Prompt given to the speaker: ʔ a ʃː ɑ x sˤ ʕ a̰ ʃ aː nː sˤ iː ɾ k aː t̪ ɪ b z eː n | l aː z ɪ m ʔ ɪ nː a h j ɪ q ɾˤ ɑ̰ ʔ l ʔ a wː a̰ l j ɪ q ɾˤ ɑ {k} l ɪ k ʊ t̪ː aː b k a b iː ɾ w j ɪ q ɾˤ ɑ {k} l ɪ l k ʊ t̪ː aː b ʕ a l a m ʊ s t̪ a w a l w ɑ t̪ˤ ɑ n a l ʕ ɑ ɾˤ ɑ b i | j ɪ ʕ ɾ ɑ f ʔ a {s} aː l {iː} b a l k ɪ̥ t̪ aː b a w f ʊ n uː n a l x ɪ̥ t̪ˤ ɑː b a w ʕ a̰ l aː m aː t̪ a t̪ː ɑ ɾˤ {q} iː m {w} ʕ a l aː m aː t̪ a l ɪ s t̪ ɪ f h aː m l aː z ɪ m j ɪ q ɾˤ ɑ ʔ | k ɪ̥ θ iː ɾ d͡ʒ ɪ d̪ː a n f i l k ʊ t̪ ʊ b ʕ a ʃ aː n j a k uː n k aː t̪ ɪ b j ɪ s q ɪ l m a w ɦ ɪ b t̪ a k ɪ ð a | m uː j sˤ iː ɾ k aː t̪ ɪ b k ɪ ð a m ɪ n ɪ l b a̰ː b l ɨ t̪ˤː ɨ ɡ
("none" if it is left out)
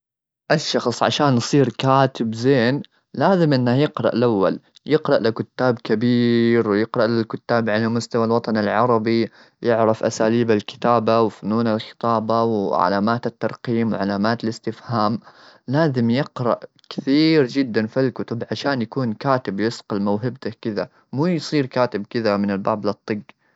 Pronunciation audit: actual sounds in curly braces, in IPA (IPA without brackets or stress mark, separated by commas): ʔ, ʔ, s, iː, q, w